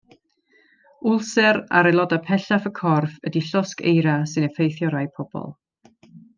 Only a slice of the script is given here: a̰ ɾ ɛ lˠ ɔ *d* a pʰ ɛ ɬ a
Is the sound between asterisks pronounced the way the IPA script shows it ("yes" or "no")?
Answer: yes